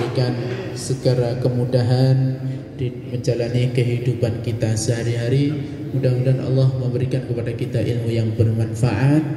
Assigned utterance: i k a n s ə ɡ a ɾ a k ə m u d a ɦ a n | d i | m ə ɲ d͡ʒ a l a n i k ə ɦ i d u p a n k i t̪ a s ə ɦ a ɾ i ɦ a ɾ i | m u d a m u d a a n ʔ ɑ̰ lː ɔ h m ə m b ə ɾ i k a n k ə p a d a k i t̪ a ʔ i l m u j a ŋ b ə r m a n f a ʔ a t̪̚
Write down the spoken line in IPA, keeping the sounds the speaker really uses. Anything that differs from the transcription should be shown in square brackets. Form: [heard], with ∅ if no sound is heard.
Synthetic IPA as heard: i k a n s ə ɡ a ɾ a k ə m u d a ɦ a n | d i | m ə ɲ d͡ʒ a l a n i k ə ɦ i d u p a n k i t̪ a s ə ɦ a ɾ i ɦ a ɾ i | m u d a m u d a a n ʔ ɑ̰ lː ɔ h m ə m b ə ɾ i k a n k ə p a d a k i t̪ a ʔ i l m u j a ŋ b ə r m a n f a ʔ a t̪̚